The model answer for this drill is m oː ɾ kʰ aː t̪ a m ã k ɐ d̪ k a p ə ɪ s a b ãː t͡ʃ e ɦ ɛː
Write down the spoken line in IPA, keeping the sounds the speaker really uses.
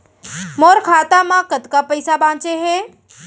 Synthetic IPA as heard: m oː ɾ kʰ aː t̪ a m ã k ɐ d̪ k a p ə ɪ s a b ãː t͡ʃ e ɦ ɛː